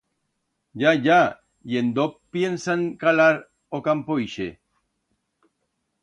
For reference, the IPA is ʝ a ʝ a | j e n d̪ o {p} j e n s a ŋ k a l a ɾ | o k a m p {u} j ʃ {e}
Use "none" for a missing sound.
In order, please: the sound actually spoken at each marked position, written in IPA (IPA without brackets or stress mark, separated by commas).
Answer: p, o, e